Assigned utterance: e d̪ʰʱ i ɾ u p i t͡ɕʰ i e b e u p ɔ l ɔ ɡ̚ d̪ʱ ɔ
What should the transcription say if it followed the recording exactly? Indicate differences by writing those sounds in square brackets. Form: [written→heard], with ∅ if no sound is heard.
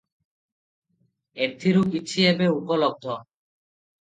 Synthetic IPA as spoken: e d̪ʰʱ i ɾ u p i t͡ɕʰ i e b e u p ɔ l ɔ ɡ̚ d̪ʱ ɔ